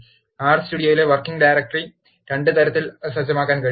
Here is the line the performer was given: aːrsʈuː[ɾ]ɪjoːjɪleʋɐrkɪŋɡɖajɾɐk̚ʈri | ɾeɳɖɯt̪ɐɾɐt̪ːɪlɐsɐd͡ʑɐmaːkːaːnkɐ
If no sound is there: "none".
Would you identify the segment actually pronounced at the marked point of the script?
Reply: ɽ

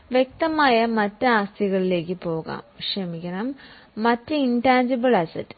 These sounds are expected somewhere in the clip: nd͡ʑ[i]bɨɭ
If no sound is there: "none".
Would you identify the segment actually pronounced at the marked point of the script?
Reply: i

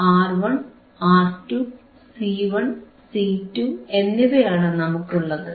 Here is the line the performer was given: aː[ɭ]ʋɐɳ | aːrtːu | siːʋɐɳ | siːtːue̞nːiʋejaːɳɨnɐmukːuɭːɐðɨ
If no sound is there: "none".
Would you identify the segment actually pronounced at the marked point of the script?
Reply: r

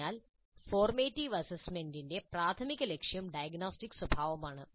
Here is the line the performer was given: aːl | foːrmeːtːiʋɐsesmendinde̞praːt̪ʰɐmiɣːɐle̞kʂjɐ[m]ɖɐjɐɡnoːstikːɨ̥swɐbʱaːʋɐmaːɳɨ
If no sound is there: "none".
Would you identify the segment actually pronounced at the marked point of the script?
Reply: m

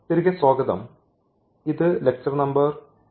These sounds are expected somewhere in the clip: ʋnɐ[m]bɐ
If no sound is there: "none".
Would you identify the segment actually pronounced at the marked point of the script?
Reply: m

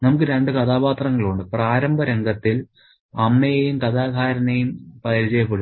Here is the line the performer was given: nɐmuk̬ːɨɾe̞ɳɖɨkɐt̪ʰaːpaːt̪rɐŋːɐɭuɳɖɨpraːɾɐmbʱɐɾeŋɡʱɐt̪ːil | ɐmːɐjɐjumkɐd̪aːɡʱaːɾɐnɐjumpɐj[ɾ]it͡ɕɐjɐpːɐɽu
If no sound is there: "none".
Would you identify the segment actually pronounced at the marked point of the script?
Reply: ɾ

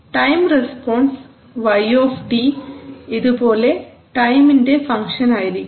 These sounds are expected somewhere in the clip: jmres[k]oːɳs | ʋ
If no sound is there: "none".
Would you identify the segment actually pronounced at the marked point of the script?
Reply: p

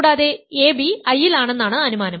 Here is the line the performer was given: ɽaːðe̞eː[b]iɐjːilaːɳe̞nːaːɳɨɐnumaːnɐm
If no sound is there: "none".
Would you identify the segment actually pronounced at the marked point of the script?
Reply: b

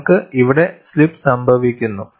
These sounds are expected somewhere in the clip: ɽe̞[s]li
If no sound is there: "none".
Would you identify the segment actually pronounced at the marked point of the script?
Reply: s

